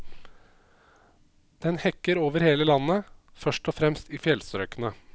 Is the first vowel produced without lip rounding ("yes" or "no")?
yes